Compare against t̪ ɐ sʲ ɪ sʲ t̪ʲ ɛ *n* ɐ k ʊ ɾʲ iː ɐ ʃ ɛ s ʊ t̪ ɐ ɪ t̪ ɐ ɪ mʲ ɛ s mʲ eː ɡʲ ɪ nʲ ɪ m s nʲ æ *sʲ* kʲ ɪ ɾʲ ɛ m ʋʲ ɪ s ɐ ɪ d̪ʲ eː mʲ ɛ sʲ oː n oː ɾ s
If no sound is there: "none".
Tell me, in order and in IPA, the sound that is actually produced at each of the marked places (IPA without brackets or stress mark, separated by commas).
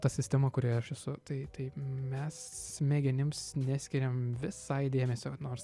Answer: m, sʲ